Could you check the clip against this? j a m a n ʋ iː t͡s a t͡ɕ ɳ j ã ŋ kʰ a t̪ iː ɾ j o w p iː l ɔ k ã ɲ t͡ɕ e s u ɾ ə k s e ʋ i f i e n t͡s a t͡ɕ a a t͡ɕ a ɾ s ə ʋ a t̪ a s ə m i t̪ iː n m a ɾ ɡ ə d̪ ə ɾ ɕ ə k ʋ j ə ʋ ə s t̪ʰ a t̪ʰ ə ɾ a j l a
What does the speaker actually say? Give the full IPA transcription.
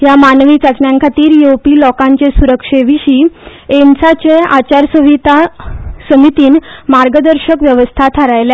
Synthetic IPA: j a m a n ʋ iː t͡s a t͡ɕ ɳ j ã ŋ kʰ a t̪ iː ɾ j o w p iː l ɔ k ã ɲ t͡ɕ e s u ɾ ə k ʂ e ʋ i ɕ i e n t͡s a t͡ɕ e a t͡ɕ a ɾ s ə ʋ i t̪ a s ə m i t̪ iː n m a ɾ ɡ ə d̪ ə ɾ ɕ ə k ʋ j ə ʋ ə s t̪ʰ a t̪ʰ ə ɾ a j l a